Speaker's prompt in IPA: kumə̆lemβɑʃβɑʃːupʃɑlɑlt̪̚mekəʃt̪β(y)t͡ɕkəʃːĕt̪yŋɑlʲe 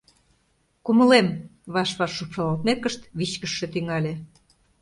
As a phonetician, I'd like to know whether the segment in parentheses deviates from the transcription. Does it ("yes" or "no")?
yes